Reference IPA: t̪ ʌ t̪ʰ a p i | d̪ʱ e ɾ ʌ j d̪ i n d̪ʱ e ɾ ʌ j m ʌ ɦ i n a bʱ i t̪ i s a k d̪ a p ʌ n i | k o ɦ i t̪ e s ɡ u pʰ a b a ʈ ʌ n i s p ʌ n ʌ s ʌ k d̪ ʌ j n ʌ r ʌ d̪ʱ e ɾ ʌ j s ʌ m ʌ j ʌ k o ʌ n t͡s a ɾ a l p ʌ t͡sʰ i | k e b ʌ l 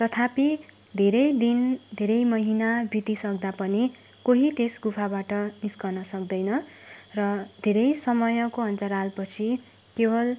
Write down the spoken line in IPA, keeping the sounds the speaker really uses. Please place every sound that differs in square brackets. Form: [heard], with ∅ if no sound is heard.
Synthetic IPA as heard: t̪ ʌ t̪ʰ a p i | d̪ʱ e ɾ ʌ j d̪ i n d̪ʱ e ɾ ʌ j m ʌ ɦ i n a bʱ i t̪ i s [ʌ] k d̪ a p ʌ n i | k o ɦ i t̪ e s ɡ u pʰ a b a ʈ ʌ n i s [k] ʌ n ʌ s ʌ k d̪ ʌ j n ʌ r ʌ d̪ʱ e ɾ ʌ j s ʌ m ʌ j ʌ k o ʌ n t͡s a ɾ a l p ʌ t͡sʰ i | k e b ʌ l